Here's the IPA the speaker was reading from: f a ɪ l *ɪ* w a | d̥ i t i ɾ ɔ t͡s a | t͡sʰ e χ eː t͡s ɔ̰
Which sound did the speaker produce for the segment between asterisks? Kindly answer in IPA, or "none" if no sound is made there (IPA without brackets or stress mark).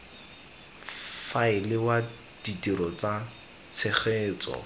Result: ɪ